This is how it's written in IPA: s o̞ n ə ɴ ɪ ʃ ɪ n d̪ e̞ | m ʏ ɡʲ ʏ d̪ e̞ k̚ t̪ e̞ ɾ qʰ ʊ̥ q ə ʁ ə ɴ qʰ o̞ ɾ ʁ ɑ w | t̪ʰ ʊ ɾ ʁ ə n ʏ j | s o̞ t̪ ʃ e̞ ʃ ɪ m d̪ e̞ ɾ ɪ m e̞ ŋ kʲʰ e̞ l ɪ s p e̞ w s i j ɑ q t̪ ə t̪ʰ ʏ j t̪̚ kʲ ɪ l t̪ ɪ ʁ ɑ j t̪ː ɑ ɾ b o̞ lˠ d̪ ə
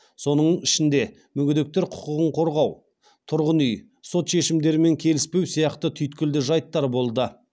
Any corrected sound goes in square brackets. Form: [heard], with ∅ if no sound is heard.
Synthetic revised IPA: s o̞ n ə ɴ ɪ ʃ ɪ n d̪ e̞ | m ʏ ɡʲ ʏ d̪ e̞ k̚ t̪ e̞ ɾ qʰ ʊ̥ q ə ʁ ə ɴ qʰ o̞ ɾ ʁ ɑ w | t̪ʰ ʊ ɾ ʁ ə n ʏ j | s o̞ t̪ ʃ e̞ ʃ ɪ m d̪ e̞ ɾ ɪ m e̞ ŋ kʲʰ e̞ l ɪ s p e̞ w s i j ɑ q t̪ ə t̪ʰ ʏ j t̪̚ kʲ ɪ l [d̪] ɪ [ʒ] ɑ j t̪ː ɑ ɾ b o̞ lˠ d̪ ə